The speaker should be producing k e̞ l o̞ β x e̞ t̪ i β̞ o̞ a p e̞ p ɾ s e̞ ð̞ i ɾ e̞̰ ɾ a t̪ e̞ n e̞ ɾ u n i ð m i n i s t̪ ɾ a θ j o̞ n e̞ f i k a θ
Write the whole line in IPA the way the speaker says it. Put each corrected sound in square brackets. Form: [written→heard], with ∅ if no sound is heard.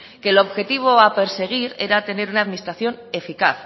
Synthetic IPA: k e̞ l o̞ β x e̞ t̪ i β̞ o̞ a p e̞ [p→∅] ɾ s e̞ [ð̞→ɣ̞] i ɾ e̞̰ ɾ a t̪ e̞ n e̞ ɾ u n [i→a] ð m i n i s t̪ ɾ a θ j o̞ n e̞ f i k a θ